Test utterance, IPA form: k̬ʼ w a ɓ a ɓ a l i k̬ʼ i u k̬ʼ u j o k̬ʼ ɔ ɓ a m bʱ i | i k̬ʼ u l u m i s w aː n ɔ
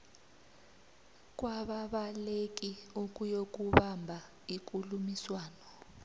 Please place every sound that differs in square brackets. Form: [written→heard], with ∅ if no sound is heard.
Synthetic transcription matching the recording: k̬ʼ w a ɓ a ɓ a l [i→e] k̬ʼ i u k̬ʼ u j o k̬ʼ [ɔ→u] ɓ a m bʱ [i→a] | i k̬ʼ u l u m i s w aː n ɔ